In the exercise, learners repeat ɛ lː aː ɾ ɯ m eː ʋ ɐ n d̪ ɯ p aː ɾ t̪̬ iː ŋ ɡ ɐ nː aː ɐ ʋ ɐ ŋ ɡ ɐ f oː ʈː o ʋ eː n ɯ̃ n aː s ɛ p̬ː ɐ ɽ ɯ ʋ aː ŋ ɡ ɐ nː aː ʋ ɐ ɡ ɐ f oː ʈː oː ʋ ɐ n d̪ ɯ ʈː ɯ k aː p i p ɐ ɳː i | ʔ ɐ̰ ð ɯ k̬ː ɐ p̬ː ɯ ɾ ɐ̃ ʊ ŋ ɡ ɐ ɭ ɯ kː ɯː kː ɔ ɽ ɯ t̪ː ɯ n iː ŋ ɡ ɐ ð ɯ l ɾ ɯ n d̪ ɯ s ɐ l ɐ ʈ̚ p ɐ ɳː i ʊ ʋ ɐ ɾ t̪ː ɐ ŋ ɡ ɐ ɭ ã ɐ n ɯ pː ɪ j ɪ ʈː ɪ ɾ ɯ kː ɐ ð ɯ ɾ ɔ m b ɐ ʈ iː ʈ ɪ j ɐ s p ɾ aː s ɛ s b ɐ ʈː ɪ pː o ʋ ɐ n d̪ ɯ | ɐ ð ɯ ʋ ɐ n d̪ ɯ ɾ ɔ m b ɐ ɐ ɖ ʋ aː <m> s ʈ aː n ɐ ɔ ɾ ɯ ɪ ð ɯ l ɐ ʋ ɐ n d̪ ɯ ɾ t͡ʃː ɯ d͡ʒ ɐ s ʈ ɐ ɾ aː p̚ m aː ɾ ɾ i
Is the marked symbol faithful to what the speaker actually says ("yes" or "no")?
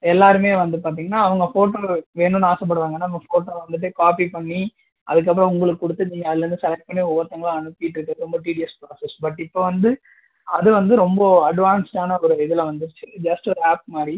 no